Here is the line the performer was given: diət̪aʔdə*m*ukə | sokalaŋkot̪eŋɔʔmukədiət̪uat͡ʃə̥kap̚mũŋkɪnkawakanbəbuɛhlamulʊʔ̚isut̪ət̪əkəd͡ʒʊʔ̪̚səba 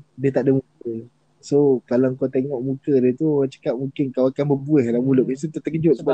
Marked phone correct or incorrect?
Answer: correct